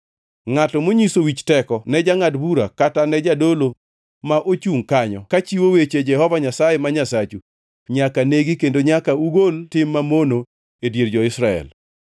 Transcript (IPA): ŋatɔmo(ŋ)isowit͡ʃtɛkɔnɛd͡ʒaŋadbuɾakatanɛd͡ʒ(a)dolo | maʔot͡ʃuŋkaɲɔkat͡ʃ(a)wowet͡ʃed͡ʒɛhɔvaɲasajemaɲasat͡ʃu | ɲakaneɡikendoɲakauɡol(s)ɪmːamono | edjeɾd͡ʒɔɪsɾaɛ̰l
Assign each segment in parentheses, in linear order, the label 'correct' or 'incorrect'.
incorrect: ɲ, correct, incorrect: i, incorrect: t

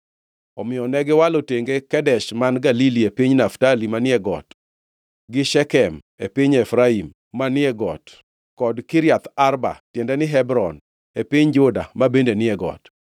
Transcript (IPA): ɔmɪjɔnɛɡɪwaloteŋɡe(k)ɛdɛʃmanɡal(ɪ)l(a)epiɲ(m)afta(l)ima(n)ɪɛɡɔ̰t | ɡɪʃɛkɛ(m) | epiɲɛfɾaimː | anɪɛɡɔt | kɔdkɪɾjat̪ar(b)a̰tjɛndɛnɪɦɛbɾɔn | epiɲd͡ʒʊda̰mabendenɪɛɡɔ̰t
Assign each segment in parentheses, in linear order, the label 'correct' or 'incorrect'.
correct, incorrect: i, incorrect: i, incorrect: n, correct, correct, correct, correct

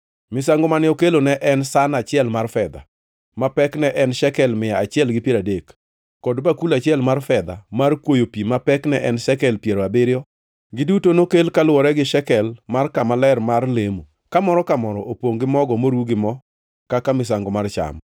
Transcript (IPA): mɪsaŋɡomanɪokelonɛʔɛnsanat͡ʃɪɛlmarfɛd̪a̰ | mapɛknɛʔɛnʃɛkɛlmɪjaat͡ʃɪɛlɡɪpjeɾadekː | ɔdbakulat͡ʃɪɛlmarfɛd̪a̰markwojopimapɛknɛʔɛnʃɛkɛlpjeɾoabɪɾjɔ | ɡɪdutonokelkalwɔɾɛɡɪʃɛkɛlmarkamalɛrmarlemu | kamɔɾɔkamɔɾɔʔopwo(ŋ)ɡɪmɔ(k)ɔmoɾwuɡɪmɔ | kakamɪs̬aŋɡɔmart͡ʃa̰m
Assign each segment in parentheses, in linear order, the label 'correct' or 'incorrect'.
correct, incorrect: ɡ

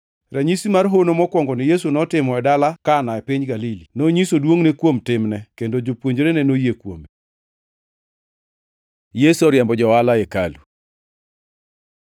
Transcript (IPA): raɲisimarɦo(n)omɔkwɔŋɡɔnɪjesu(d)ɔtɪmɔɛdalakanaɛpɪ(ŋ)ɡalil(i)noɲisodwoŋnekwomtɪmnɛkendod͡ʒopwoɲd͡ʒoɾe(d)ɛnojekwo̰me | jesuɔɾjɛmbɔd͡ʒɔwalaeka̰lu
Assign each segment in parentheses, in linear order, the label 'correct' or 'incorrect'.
correct, incorrect: n, incorrect: ɲ, correct, incorrect: n

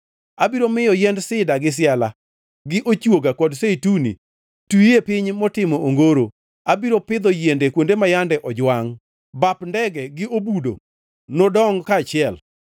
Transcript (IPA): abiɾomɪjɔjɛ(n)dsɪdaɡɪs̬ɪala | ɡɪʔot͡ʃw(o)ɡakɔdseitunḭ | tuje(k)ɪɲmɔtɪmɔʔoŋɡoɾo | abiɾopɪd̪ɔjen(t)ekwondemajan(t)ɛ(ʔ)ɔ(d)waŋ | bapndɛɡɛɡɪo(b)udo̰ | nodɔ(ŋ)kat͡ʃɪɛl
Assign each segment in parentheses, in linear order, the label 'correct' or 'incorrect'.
correct, correct, incorrect: p, incorrect: d, incorrect: d, correct, incorrect: d͡ʒ, correct, correct

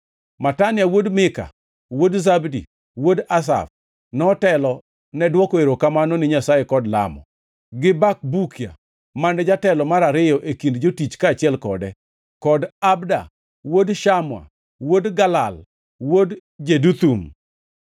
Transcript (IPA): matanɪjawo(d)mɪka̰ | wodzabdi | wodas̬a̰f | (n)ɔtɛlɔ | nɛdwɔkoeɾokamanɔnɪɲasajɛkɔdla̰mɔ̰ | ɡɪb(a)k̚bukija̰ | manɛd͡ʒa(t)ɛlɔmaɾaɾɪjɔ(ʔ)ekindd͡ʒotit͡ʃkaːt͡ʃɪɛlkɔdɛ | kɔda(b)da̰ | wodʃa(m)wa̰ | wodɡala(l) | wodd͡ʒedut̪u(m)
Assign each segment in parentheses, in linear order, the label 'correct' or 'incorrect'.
correct, correct, correct, correct, correct, correct, correct, correct, correct

